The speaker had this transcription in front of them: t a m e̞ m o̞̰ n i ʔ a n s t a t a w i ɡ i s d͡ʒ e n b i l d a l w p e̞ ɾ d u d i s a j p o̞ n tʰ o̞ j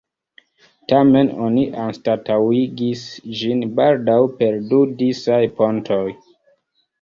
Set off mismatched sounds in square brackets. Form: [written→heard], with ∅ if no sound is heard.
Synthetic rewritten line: t a m e̞ [m→n] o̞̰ n i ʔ a n s t a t a w i ɡ i s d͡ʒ [e→i] n b [i→a] l d a [l→∅] w p e̞ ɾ d u d i s a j p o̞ n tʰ o̞ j